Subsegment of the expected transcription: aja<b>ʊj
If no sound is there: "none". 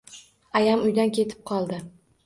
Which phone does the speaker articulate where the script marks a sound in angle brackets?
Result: m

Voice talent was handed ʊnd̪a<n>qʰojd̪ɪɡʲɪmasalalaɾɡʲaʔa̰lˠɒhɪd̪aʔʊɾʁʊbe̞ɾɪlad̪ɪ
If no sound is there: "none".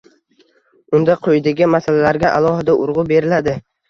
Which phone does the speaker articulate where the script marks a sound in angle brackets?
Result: none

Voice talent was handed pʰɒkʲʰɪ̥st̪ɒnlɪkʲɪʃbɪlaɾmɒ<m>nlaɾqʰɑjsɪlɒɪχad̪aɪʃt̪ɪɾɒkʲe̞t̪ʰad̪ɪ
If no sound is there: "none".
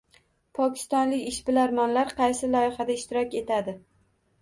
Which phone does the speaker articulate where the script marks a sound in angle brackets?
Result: none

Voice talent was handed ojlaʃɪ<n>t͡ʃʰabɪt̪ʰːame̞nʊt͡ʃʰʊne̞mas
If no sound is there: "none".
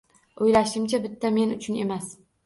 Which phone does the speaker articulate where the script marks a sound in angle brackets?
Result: m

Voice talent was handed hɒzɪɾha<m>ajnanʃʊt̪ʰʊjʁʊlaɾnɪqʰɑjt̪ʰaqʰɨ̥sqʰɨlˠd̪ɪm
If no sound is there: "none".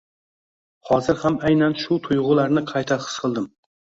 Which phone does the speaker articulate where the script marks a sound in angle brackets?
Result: m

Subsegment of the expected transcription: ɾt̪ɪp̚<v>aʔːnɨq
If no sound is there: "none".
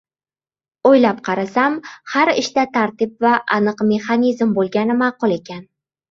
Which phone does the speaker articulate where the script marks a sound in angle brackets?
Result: v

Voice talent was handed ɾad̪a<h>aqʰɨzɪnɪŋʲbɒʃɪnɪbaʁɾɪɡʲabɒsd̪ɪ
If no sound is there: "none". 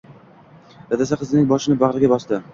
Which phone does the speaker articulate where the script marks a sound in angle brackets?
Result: s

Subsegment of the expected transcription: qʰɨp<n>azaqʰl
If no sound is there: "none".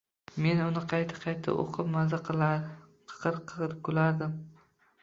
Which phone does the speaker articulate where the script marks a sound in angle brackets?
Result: m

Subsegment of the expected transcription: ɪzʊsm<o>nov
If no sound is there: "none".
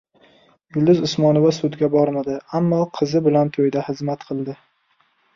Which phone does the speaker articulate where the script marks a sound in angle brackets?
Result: ɒ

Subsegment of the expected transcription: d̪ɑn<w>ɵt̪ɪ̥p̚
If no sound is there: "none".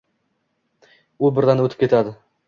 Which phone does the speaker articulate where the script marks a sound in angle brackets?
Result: w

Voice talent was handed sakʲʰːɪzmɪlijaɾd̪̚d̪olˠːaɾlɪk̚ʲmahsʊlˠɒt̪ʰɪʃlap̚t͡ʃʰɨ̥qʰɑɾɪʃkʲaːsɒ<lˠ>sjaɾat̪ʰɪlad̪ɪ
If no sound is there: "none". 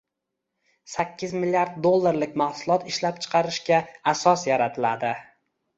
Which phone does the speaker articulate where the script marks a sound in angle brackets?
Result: none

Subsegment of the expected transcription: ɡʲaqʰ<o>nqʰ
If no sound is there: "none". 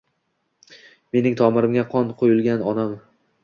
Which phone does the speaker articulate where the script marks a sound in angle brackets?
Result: ɒ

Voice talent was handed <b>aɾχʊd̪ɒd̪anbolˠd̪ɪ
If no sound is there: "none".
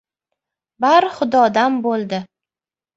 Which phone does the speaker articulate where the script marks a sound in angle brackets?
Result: b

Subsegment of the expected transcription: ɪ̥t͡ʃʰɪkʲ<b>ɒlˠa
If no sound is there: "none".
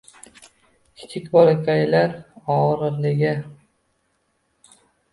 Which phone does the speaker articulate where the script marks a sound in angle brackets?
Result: b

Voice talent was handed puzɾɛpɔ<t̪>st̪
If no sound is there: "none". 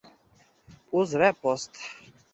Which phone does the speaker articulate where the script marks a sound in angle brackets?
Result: none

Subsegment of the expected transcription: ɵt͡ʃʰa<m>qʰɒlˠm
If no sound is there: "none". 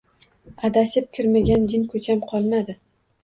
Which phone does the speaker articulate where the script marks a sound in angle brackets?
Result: m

